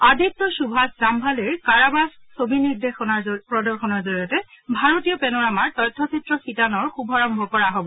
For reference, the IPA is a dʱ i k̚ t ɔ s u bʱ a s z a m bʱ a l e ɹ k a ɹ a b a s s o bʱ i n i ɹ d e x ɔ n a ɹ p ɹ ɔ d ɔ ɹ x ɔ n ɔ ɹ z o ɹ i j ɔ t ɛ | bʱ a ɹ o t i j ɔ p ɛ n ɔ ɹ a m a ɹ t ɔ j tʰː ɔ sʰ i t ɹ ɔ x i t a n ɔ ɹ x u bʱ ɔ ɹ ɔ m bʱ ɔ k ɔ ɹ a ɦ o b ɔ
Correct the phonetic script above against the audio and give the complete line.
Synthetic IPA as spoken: a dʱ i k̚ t ɔ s u bʱ a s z a m bʱ a l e ɹ k a ɹ a b a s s o bʱ i n i ɹ d e x ɔ n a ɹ p ɹ ɔ d ɔ ɹ x ɔ n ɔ ɹ z o ɹ i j ɔ t ɛ | bʱ a ɹ o t i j ɔ p ɛ n ɔ ɹ a m a ɹ t ɔ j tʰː ɔ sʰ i t ɹ ɔ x i t a n ɔ ɹ x u bʱ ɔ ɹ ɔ m bʱ ɔ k ɔ ɹ a ɦ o b ɔ